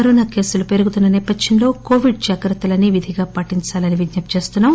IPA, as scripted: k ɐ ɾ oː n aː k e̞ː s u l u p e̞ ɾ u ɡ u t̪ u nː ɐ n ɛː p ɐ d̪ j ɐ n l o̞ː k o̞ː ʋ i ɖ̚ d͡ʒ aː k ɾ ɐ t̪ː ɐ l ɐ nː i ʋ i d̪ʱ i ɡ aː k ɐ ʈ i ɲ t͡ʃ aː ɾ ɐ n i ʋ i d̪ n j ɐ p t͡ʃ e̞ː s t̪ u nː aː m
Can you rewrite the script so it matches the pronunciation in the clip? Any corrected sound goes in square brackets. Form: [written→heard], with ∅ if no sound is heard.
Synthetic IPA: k ɐ ɾ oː n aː k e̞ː s u l u p e̞ ɾ u ɡ u t̪ u nː ɐ n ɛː p ɐ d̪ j ɐ n l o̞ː k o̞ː ʋ i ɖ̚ d͡ʒ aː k ɾ ɐ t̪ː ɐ l ɐ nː i ʋ i d̪ʱ i ɡ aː [k→p] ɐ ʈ i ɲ t͡ʃ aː [ɾ→l] ɐ n i ʋ i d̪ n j ɐ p t͡ʃ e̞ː s t̪ u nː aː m